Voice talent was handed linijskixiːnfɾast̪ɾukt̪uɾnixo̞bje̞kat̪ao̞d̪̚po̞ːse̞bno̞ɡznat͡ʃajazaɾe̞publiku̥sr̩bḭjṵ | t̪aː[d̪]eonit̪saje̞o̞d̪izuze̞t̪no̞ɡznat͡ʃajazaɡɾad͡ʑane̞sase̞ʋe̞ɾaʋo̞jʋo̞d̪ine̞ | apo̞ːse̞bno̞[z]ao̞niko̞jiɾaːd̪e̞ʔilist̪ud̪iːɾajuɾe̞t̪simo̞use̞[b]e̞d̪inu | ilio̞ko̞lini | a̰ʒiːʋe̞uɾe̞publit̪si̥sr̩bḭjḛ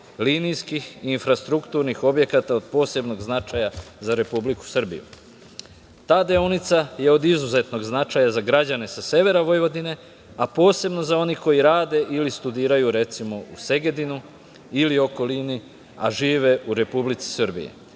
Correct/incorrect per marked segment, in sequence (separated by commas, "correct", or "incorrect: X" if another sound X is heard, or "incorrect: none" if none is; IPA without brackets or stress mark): correct, correct, incorrect: ɡ